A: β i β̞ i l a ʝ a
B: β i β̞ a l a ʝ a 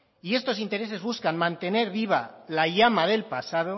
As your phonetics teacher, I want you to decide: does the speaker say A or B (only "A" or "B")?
B